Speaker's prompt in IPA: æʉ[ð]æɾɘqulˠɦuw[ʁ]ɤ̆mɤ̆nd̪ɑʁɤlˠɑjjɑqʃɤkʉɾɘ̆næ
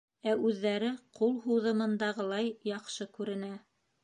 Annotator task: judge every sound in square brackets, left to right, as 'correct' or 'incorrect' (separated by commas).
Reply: incorrect, incorrect